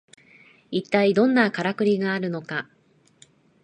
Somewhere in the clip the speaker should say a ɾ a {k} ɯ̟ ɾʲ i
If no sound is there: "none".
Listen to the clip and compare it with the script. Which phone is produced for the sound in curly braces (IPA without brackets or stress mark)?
k